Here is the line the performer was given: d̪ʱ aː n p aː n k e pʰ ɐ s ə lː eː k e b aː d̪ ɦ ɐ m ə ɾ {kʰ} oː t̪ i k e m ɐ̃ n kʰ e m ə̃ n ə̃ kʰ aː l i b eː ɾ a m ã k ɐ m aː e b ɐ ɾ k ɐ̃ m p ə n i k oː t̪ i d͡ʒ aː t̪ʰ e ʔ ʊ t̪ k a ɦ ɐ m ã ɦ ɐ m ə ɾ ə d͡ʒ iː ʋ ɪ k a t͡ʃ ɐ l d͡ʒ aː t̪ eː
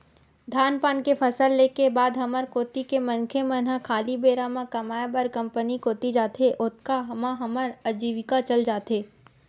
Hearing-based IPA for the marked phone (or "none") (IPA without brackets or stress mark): k